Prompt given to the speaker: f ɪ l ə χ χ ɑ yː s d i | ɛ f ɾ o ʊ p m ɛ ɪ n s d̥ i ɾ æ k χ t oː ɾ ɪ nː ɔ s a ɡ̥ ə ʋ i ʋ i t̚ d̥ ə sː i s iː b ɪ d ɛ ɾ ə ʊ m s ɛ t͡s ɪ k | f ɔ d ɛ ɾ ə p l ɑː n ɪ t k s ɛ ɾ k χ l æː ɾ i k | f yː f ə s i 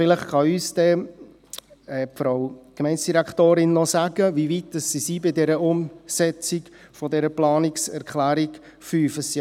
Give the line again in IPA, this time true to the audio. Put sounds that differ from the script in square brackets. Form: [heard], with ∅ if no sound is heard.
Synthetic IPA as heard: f ɪ l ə χ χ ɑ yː s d [ɛ] | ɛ f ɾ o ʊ [k] m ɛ ɪ n s d̥ i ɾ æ k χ t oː ɾ ɪ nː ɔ s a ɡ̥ ə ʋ i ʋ i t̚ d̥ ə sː i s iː b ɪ d ɛ ɾ ə ʊ m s ɛ t͡s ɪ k | f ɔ d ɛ ɾ ə p l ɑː n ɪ [∅] k s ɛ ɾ k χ l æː ɾ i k | f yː f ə s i